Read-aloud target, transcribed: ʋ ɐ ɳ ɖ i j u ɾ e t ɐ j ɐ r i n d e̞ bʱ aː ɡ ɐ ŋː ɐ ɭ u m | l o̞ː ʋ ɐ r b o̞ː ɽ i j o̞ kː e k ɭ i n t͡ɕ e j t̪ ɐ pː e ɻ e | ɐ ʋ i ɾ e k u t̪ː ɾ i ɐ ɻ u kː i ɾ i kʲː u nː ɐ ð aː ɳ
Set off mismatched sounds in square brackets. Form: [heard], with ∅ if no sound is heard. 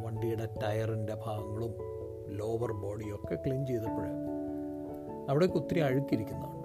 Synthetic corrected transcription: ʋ ɐ ɳ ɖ i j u [ɽ] e t ɐ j ɐ r i n d e̞ bʱ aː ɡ ɐ ŋː ɐ ɭ u m | l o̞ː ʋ ɐ r b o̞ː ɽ i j o̞ kː e k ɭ i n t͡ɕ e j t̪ ɐ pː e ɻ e | ɐ ʋ i [ɽ] e k u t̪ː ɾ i ɐ ɻ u kː i ɾ i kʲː u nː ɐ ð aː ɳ